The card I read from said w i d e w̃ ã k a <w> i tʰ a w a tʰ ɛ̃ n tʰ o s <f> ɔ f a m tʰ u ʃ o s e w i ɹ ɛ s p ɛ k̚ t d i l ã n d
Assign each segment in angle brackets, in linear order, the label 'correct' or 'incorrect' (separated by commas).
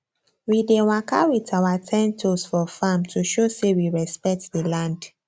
correct, correct